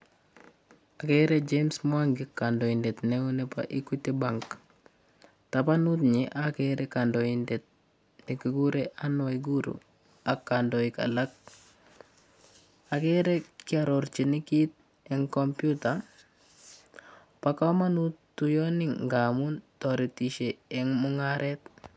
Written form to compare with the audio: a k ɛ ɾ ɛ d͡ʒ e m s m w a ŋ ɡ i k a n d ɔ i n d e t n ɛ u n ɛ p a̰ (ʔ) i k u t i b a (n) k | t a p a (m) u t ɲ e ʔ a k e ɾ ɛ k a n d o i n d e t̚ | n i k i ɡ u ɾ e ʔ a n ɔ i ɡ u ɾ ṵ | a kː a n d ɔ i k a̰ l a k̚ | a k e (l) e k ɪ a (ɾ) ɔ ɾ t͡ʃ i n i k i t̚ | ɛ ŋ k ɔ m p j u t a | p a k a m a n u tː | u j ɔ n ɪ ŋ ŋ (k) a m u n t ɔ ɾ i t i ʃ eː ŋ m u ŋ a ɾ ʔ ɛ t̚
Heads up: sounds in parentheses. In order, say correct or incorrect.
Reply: correct, incorrect, incorrect, incorrect, correct, incorrect

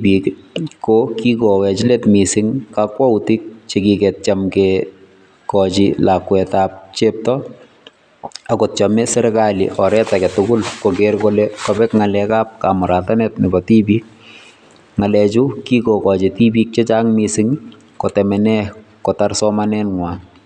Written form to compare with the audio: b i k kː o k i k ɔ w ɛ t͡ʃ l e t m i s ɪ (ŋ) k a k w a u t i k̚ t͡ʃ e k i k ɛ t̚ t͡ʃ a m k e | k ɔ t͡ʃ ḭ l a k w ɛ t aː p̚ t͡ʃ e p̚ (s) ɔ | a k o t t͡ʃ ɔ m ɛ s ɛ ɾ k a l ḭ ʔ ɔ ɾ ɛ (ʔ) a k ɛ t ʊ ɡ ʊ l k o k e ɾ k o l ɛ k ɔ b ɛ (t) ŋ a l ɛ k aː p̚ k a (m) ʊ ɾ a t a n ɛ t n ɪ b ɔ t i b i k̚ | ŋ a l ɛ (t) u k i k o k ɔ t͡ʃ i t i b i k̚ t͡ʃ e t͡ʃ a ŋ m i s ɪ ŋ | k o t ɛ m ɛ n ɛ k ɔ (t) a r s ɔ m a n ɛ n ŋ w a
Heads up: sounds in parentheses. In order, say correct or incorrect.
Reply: correct, incorrect, incorrect, incorrect, correct, incorrect, correct

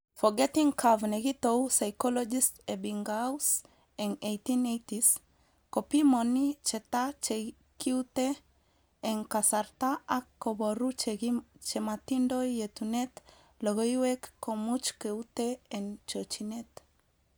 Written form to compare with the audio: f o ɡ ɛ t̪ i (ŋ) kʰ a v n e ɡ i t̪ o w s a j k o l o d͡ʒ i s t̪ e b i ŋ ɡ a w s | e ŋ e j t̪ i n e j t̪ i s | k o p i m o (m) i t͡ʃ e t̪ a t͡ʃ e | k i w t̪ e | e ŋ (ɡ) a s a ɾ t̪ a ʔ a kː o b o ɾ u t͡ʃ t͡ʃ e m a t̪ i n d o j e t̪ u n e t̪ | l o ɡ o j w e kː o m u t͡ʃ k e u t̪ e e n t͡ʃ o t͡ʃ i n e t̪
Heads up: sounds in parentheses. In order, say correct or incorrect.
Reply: correct, incorrect, incorrect

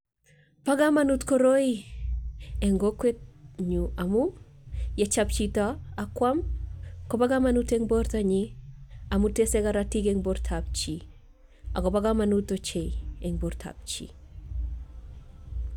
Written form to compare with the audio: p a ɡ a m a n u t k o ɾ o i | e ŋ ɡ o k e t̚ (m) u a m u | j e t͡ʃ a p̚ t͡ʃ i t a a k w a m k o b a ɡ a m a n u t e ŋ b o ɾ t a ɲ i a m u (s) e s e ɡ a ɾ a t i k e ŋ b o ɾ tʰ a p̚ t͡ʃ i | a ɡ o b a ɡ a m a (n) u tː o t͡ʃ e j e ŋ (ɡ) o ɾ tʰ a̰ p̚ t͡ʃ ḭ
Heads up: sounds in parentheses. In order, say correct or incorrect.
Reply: incorrect, incorrect, correct, incorrect

